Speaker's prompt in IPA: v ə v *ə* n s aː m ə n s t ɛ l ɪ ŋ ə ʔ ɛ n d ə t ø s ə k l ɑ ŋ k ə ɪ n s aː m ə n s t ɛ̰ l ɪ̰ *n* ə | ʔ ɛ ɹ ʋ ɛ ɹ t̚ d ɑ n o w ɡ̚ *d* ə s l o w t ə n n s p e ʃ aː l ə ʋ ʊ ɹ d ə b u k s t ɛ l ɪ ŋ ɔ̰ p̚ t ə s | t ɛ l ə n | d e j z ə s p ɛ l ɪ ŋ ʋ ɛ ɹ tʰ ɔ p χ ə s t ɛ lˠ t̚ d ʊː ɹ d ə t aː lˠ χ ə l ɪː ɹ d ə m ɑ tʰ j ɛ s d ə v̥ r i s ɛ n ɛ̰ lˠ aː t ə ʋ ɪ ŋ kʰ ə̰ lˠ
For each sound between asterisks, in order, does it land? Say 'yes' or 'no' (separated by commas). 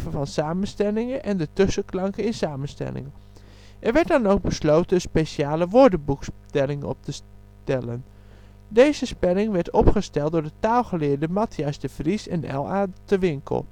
no, no, no